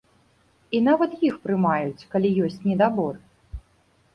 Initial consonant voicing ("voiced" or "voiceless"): voiced